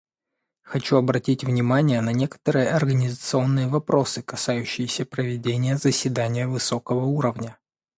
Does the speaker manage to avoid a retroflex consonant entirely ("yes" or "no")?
yes